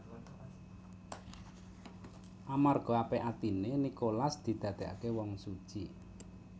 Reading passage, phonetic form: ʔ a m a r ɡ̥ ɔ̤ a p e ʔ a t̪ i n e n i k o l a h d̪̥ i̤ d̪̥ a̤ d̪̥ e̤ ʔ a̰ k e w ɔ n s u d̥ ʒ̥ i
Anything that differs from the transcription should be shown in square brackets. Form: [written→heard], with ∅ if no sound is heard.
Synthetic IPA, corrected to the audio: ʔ a m a r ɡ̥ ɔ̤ a p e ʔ a t̪ i n e n i k o l a [h→s] d̪̥ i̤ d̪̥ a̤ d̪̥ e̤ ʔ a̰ k e w ɔ [n→ŋ] s u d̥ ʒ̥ i

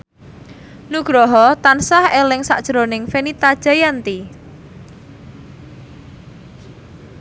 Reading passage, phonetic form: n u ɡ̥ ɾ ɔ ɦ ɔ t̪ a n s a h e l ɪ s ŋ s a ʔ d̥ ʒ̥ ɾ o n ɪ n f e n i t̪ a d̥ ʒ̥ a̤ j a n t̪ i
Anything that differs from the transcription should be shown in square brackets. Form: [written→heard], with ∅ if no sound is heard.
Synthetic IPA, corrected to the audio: n u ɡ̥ ɾ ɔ ɦ ɔ t̪ a n s a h e l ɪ [s→∅] ŋ s a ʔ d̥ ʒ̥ ɾ o n ɪ [n→ŋ] f e n i t̪ a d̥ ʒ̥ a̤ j a n t̪ i

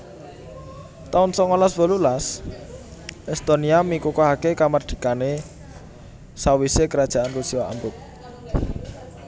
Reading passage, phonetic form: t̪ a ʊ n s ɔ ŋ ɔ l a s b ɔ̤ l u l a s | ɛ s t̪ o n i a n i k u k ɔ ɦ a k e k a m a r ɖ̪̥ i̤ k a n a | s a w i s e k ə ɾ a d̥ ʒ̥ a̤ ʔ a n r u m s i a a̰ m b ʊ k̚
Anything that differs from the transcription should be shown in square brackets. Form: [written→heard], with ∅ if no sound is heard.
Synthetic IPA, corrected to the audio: t̪ a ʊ n s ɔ ŋ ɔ l a s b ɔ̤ l u l a s | ɛ s t̪ o n i a [n→m] i k u k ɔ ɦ a k e k a m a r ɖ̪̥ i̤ k a n [a→e] | s a w i s e k ə ɾ a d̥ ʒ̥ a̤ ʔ a n r u [m→∅] s i a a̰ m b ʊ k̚

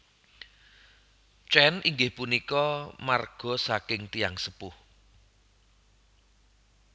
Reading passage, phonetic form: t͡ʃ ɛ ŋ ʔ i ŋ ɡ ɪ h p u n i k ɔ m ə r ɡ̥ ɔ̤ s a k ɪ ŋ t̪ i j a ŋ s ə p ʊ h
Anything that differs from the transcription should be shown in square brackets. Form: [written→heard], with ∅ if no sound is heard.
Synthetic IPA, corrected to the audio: t͡ʃ ɛ [ŋ→n] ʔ i ŋ ɡ ɪ h p u n i k ɔ m [ə→a] r ɡ̥ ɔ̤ s a k ɪ ŋ t̪ i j a ŋ s ə p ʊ h

